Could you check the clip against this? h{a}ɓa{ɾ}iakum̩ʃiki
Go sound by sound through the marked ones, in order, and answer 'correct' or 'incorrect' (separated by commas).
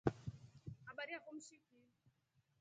correct, correct